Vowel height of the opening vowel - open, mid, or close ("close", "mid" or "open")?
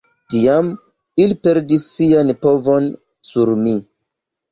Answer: close